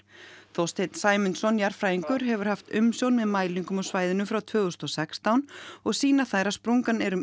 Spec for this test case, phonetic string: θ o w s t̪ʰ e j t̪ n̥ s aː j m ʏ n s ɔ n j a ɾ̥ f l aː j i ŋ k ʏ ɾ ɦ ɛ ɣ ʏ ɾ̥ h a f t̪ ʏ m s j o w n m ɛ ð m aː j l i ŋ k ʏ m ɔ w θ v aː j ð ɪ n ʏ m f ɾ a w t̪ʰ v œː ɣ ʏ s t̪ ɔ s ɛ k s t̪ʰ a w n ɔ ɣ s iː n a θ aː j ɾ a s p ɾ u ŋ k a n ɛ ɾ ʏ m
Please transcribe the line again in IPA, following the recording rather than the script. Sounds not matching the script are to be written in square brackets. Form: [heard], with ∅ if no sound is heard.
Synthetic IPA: θ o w s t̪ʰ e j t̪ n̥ s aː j m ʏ n s ɔ n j a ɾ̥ f [ɾ] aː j i ŋ k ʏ ɾ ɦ ɛ [v] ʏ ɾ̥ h a f t̪ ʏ m s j o w n m ɛ ð m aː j l i ŋ k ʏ m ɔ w [s] v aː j ð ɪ n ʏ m f ɾ a w t̪ʰ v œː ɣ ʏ s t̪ ɔ s ɛ k s [t̪] a w n ɔ ɣ s iː n a θ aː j ɾ a s p ɾ u ŋ k a n ɛ ɾ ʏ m